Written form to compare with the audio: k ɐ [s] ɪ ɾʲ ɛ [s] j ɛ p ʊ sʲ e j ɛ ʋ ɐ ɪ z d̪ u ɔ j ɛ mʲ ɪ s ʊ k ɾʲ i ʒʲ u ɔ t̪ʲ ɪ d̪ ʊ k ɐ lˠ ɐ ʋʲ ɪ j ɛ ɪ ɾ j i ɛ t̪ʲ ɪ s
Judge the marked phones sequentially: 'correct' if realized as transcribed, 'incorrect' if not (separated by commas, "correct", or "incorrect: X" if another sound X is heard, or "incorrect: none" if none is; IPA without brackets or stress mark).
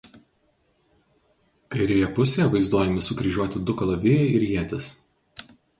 incorrect: none, incorrect: none